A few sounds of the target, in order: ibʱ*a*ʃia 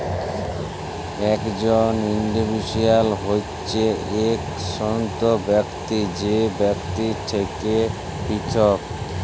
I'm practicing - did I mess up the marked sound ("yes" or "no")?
yes